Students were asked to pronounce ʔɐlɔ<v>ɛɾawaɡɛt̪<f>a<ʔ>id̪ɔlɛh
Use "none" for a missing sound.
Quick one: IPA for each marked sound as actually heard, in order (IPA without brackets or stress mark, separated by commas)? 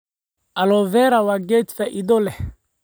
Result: v, f, ʔ